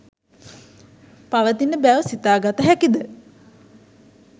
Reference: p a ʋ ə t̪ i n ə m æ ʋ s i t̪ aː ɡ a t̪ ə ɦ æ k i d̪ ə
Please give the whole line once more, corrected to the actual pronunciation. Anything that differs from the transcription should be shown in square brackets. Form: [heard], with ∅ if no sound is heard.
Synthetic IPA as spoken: p a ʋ ə t̪ i n ə [b] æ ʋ s i t̪ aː ɡ a t̪ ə ɦ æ k i d̪ ə